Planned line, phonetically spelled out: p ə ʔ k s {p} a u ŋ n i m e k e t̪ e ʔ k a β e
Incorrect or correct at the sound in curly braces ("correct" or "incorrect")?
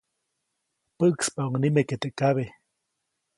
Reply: correct